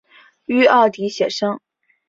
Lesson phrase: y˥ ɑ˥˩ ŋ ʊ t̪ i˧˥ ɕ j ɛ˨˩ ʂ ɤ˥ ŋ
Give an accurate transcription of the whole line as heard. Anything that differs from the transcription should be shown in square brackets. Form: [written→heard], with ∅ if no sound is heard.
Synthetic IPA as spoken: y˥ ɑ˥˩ [ŋ→∅] ʊ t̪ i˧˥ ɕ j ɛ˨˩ ʂ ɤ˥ ŋ